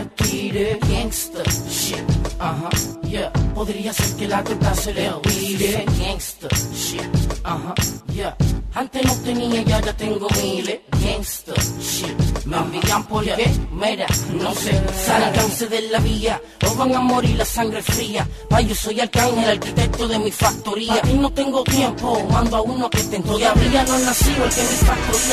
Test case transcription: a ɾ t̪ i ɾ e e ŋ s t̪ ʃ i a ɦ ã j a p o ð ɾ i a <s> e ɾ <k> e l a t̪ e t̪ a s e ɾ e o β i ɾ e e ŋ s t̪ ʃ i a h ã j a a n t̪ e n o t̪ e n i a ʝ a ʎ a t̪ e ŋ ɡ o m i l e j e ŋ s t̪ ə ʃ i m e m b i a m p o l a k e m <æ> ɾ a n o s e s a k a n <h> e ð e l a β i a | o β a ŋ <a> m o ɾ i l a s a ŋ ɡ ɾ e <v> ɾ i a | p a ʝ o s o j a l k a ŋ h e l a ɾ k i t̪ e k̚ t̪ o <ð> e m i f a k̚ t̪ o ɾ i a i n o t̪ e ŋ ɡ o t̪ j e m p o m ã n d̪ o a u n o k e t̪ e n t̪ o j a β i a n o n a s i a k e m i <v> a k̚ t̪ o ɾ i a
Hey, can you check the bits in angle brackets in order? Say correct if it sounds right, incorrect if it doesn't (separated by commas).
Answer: correct, correct, incorrect, incorrect, correct, incorrect, correct, incorrect